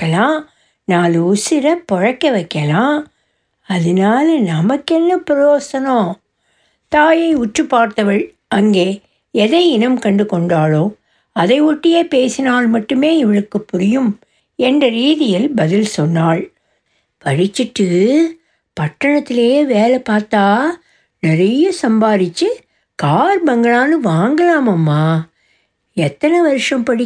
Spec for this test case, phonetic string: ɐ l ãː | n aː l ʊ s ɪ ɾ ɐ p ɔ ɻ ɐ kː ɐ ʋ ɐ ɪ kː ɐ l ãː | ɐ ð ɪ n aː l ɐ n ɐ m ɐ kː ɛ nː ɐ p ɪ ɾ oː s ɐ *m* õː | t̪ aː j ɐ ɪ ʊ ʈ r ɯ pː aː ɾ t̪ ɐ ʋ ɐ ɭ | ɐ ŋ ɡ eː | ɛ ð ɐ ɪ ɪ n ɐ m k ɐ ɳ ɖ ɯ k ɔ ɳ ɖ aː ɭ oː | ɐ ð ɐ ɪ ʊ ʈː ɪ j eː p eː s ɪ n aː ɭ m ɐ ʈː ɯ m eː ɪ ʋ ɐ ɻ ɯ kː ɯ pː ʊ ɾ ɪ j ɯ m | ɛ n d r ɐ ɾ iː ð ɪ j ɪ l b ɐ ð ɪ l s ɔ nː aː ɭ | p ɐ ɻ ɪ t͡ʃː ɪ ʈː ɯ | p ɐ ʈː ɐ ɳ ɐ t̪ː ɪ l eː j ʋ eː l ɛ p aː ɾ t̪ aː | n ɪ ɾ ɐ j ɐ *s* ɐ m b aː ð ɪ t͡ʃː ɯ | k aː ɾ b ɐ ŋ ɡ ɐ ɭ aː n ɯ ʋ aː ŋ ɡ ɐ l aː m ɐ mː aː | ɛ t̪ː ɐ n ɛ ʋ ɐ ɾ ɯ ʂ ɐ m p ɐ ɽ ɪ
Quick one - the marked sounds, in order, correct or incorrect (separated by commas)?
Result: incorrect, correct